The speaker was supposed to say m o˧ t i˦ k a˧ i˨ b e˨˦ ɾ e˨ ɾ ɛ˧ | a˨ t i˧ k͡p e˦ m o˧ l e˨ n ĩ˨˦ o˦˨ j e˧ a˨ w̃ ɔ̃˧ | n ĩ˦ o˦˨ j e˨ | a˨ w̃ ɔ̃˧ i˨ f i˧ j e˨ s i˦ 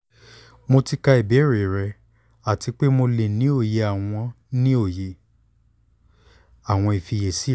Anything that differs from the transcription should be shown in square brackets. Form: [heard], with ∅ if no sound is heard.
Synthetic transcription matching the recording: m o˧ t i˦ k a˧ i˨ b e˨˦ ɾ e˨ ɾ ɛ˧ | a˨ t i˧ k͡p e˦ m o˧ l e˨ n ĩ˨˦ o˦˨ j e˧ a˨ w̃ ɔ̃˧ | n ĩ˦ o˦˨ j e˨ | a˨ w̃ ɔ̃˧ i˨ f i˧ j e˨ s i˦